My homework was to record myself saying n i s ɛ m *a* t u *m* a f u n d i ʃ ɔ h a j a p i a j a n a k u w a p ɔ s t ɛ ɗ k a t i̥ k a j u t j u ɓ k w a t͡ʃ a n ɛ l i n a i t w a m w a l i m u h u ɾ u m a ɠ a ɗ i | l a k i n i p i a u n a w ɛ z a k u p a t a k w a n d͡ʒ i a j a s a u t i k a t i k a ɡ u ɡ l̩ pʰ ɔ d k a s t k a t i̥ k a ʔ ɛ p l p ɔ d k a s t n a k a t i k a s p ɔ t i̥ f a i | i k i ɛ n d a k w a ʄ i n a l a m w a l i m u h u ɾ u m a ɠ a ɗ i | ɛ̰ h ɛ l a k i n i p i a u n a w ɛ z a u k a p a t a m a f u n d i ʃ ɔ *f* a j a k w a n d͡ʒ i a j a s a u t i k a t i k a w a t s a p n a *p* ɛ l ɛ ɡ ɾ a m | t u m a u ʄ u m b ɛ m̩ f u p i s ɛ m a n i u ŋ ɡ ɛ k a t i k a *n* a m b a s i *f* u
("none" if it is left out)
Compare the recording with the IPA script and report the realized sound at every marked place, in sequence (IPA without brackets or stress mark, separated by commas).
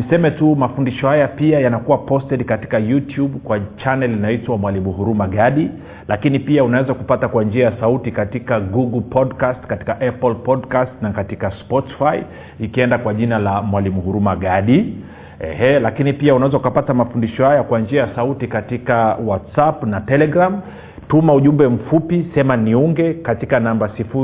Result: ɛ, m, h, t, n, f